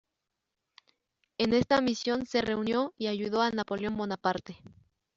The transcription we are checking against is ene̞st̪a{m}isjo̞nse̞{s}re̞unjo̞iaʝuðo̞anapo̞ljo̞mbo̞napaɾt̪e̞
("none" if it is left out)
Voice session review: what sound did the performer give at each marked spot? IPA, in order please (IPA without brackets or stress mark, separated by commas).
m, none